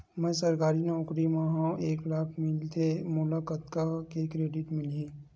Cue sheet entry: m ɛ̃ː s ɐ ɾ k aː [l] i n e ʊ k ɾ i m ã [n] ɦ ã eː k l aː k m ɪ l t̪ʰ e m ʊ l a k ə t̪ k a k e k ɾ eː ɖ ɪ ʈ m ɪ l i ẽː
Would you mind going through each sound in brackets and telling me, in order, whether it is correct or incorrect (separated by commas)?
incorrect, incorrect